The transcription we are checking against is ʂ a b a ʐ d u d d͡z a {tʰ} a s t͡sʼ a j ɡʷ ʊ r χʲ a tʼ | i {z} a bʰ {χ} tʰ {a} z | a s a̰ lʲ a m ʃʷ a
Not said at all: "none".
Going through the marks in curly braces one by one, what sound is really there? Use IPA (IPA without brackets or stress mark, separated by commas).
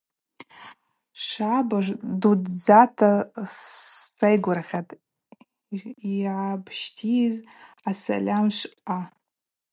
tʰ, ʕ, ʃ, i